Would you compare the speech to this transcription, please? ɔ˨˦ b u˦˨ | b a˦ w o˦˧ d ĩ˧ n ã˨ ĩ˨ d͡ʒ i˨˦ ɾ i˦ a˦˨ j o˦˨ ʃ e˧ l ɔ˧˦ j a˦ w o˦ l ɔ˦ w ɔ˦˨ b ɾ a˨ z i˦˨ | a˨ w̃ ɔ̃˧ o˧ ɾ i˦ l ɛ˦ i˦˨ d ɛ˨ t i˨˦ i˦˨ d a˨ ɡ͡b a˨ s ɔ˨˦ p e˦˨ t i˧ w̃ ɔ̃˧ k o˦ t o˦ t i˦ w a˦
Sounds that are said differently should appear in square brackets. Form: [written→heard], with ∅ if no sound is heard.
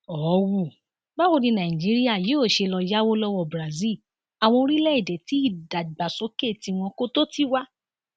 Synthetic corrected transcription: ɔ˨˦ [b→w] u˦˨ | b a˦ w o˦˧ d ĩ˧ n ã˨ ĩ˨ d͡ʒ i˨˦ ɾ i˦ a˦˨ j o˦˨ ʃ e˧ l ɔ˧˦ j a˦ w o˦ l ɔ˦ w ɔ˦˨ b ɾ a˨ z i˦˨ | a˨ w̃ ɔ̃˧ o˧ ɾ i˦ l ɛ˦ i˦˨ d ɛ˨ t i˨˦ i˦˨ d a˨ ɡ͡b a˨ s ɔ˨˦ [p→k] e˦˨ t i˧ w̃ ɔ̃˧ k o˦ t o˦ t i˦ w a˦